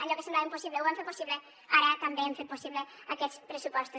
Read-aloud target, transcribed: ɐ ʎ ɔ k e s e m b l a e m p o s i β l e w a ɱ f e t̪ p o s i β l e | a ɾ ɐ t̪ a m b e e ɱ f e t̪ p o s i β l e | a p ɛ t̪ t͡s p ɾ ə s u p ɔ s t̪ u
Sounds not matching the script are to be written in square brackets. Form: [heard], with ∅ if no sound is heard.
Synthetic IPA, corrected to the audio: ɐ ʎ ɔ k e s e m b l a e m p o s i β l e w a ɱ f e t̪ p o s i β l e | a ɾ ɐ t̪ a m b e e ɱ f e t̪ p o s i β l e | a [k] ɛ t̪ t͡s p ɾ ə s u p ɔ s t̪ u